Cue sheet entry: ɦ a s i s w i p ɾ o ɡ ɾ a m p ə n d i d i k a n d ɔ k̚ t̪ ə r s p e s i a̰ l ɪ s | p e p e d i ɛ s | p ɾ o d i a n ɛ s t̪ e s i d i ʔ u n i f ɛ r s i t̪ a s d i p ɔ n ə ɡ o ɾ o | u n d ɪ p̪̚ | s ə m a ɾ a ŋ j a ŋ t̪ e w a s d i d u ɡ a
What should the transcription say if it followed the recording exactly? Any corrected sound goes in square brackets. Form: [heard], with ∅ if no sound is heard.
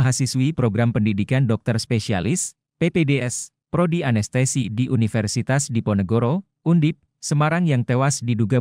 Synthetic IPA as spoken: ɦ a s i s w i p ɾ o ɡ ɾ a m p ə n d i d i k a n d ɔ k̚ t̪ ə r s p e s i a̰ l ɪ s | p e p e d [e] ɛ s | p ɾ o d i a n ɛ s t̪ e s i d i ʔ u n i f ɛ r s i t̪ a s d i p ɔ n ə ɡ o ɾ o | u n d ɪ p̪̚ | s ə m a ɾ a ŋ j a ŋ t̪ e w a s d i d u ɡ a